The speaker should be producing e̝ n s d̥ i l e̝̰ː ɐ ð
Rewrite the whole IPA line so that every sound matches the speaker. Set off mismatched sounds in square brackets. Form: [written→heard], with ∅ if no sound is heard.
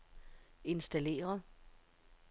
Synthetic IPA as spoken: e̝ n s d̥ [i→æ] l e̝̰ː ɐ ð